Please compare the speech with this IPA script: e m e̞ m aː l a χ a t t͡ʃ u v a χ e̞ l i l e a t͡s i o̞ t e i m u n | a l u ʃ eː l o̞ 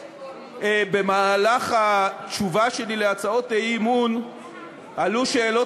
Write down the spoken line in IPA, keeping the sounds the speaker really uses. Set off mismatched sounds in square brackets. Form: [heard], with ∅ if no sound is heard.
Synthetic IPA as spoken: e [b] e̞ m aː l a χ a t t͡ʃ u v a [ʃ] e̞ l i l e a t͡s [a] o̞ t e i m u n | a l u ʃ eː l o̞